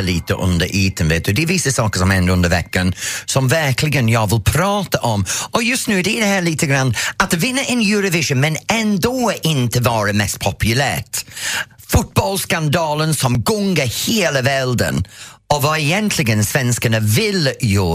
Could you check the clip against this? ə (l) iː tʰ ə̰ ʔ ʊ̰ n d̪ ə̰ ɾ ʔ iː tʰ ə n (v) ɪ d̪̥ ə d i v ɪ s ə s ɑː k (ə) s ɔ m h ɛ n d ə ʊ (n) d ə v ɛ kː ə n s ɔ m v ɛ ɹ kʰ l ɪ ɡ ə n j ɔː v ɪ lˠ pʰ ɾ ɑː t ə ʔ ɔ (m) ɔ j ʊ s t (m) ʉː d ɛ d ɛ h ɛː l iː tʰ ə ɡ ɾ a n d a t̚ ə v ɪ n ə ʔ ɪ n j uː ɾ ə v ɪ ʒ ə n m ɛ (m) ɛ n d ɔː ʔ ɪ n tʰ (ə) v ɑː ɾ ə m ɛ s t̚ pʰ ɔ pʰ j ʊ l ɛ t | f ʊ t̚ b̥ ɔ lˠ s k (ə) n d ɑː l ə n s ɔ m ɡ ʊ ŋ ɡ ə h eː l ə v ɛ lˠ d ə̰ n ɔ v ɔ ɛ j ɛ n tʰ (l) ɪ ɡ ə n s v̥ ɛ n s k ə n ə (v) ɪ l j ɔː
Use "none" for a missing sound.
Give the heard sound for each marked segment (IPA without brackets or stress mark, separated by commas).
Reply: l, v, ə, n, m, n, n, ə, a, l, v